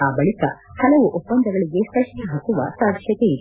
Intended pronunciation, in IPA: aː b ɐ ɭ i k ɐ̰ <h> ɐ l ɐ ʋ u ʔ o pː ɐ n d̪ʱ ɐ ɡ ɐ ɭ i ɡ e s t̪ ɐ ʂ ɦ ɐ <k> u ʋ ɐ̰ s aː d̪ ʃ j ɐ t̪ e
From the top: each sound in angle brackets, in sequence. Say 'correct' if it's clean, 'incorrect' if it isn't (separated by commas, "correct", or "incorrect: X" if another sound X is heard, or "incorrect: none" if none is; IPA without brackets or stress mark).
correct, correct